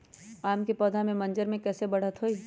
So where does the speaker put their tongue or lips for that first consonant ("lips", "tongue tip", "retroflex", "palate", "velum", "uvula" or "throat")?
lips